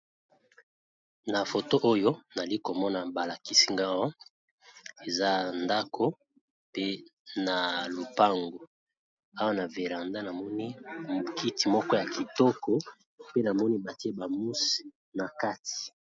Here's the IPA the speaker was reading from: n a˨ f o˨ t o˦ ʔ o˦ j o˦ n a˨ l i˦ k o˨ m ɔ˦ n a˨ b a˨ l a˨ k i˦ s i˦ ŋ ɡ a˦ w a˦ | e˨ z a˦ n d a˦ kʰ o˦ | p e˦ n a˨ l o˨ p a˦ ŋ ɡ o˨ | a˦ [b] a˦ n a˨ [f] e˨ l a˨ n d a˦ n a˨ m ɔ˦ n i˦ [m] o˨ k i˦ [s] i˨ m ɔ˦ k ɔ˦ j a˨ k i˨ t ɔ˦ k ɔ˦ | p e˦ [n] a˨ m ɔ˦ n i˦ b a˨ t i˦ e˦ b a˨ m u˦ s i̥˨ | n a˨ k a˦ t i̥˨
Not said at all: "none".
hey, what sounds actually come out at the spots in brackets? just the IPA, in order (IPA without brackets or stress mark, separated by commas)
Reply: w, v, m, t, n